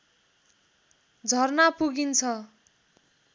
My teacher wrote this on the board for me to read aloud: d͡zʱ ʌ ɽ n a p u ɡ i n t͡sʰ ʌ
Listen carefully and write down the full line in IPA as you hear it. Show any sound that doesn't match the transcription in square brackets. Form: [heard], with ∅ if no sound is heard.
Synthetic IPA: d͡zʱ ʌ [r] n a p u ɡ i n t͡sʰ ʌ